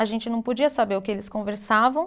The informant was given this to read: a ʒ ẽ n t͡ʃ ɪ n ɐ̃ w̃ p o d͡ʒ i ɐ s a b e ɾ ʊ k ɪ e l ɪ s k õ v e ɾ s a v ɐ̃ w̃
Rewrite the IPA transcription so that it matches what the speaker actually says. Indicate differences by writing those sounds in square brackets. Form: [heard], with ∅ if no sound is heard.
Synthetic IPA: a ʒ ẽ n t͡ʃ ɪ n ɐ̃ w̃ p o d͡ʒ i ɐ s a b e ɾ ʊ k ɪ e l ɪ s k õ v e ɾ s a v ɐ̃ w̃

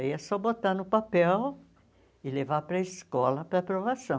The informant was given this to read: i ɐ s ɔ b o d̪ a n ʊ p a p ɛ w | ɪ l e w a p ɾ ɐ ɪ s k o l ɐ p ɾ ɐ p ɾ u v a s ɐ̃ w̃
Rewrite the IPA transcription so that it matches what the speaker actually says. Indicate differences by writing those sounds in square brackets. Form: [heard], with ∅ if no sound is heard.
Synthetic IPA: i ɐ s ɔ b o [t̪] a n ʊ p a p ɛ w | ɪ l e [v] a p ɾ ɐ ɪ s k [ɔ] l ɐ p ɾ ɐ p ɾ [o] v a s ɐ̃ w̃

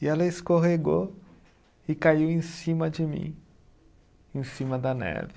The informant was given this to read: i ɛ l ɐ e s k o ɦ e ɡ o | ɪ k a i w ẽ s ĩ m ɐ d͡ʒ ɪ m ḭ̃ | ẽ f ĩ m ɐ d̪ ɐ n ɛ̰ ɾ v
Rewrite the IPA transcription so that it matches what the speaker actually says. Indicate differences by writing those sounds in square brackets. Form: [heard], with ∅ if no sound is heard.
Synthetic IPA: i ɛ l ɐ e s k o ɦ e ɡ o | ɪ k a i w ẽ s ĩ m ɐ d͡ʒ ɪ m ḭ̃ | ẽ [s] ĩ m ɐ d̪ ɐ n ɛ̰ ɾ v

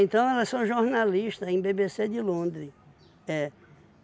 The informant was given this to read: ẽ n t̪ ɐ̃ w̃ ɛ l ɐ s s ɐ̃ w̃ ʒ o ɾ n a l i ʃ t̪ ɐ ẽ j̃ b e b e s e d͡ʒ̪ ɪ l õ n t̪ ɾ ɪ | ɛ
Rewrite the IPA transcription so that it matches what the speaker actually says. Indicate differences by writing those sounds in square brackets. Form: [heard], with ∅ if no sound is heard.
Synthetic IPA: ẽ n t̪ ɐ̃ w̃ ɛ l ɐ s s ɐ̃ w̃ ʒ o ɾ n a l i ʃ t̪ ɐ ẽ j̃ b e b e s e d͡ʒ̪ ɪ l õ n [d̪] ɾ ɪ | ɛ

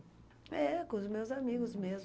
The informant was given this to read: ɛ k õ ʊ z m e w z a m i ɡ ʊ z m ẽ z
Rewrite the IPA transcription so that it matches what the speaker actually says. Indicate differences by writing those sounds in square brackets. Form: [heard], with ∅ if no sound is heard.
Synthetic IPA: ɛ k õ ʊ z m e w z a m i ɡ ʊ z m [e] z

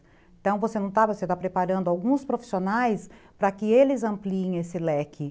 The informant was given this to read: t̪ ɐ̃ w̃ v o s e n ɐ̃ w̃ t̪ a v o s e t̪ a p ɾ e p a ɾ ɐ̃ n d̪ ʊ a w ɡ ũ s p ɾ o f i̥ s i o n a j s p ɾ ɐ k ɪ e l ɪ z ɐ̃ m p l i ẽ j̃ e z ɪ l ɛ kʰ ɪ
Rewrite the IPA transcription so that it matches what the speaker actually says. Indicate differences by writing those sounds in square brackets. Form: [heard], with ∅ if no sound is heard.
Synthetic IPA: t̪ ɐ̃ w̃ v o s e n ɐ̃ w̃ t̪ a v o s e t̪ a p ɾ e p a ɾ ɐ̃ n d̪ ʊ a w ɡ ũ s p ɾ o f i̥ s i o n a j s p ɾ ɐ k ɪ e l ɪ z ɐ̃ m p l i ẽ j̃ e [s] ɪ l ɛ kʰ ɪ

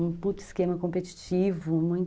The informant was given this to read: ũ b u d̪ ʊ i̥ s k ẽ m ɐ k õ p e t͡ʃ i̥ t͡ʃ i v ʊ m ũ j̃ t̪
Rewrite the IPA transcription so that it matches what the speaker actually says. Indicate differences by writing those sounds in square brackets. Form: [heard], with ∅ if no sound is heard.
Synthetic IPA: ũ [p] u [t̪] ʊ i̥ s k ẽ m ɐ k õ p e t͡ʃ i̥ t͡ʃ i v ʊ m ũ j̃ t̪

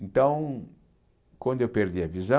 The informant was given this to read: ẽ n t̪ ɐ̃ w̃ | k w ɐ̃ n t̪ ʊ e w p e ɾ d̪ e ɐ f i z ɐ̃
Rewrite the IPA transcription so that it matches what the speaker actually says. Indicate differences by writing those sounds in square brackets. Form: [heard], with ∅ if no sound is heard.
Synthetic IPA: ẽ n t̪ ɐ̃ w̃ | k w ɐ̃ n [d̪] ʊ e w p e ɾ d̪ [i] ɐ [v] i z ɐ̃

